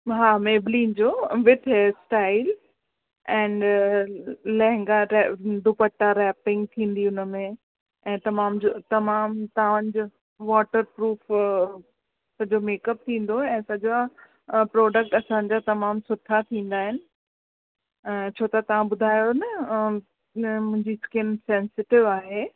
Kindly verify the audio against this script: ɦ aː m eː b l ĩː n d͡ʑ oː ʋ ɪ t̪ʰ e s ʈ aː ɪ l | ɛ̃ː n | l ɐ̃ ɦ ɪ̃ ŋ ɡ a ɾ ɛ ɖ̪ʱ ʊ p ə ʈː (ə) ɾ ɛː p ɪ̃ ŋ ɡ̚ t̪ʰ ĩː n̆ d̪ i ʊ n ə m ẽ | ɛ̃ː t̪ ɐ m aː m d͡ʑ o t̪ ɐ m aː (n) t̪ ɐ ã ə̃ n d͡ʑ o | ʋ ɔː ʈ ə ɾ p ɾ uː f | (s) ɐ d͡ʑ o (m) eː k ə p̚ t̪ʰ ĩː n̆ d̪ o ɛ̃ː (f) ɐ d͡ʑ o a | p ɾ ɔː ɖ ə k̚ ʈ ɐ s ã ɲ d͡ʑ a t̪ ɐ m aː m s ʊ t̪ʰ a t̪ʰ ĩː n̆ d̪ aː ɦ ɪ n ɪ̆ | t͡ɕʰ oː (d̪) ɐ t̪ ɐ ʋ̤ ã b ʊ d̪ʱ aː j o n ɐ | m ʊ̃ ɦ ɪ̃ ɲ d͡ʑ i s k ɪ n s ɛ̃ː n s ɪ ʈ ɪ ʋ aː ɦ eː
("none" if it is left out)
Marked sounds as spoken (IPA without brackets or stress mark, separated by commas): a, m, s, m, s, t̪